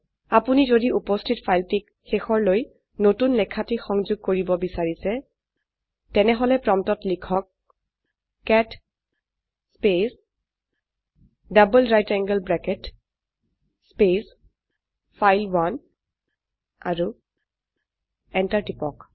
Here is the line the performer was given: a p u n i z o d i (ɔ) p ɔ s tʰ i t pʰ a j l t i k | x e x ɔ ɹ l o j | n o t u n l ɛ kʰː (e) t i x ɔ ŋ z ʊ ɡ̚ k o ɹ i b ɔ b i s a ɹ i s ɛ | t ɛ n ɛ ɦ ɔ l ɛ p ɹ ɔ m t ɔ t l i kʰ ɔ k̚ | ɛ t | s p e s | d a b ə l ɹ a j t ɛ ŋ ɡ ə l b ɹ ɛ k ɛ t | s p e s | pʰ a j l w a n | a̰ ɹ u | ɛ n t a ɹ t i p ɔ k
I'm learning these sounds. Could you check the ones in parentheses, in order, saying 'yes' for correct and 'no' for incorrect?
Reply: no, no

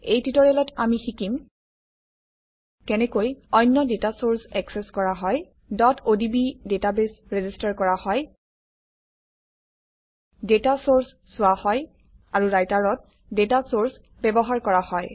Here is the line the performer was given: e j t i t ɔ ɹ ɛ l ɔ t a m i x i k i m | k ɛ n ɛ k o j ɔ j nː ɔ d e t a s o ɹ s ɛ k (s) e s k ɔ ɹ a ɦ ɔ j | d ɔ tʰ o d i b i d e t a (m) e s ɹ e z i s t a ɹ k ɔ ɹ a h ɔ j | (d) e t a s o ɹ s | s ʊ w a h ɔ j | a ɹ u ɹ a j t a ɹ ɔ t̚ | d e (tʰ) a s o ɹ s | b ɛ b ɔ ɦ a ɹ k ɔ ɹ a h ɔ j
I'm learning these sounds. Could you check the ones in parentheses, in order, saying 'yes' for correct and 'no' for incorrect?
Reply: yes, no, yes, no

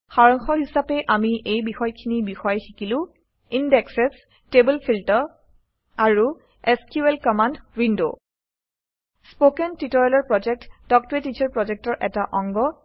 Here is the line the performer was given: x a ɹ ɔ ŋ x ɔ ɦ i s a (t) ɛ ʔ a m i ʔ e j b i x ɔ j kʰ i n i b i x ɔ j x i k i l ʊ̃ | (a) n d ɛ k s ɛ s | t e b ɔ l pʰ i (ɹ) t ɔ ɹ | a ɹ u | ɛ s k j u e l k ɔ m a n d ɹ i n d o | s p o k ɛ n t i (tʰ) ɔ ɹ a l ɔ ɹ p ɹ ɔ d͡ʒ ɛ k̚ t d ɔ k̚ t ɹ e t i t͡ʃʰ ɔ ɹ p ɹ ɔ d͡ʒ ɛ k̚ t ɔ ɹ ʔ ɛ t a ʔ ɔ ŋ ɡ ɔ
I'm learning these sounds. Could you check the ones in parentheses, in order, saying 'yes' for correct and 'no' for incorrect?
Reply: no, no, no, no

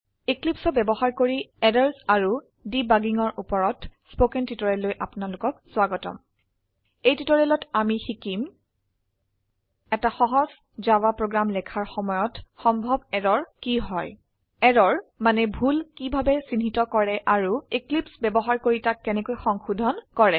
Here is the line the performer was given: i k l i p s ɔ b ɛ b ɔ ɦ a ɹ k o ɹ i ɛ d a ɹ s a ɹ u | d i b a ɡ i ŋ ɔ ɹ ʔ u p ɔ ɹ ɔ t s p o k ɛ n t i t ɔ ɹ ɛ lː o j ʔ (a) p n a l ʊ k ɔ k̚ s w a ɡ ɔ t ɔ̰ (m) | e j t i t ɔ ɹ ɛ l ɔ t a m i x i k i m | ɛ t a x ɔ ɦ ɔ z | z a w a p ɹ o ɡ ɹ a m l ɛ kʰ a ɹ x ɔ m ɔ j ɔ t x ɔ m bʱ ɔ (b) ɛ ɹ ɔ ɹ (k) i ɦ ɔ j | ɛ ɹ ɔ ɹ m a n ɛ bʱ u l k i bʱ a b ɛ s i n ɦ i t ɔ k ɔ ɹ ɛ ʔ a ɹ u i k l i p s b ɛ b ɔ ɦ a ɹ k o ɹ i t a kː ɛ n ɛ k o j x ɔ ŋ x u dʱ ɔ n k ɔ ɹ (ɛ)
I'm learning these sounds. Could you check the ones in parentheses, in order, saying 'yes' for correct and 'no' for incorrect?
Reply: yes, yes, yes, yes, yes

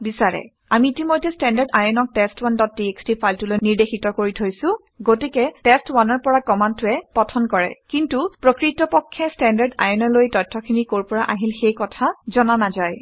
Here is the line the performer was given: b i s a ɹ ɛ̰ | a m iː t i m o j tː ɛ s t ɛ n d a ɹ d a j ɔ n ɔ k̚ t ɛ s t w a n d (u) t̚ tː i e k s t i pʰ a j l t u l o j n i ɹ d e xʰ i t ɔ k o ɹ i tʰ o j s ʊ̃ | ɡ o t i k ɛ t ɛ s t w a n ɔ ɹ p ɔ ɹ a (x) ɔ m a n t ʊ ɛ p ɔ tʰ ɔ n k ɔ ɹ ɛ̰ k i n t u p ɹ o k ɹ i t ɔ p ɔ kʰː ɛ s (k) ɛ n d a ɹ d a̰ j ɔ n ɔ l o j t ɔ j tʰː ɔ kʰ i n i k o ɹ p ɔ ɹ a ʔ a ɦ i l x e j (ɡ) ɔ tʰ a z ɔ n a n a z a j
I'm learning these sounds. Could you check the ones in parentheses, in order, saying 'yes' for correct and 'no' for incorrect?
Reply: no, no, no, no

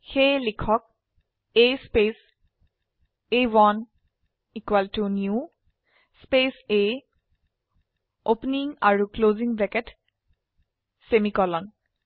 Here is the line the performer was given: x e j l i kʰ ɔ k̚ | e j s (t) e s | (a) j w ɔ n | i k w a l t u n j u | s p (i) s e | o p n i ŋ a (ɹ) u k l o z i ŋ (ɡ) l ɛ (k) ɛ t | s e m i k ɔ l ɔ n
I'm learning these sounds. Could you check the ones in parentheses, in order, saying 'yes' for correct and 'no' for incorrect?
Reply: no, no, no, yes, no, yes

